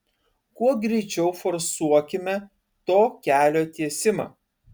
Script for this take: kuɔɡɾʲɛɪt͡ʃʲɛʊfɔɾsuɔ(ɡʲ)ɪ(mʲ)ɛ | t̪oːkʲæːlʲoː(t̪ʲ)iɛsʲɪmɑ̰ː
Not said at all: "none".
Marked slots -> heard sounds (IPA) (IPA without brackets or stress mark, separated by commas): kʲ, mʲ, t̪ʲ